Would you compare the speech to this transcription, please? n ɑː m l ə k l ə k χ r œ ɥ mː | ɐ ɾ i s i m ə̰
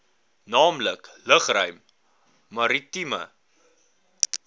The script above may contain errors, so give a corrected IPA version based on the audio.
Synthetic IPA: n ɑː m l ə k l ə χ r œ ɥ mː | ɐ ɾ i t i m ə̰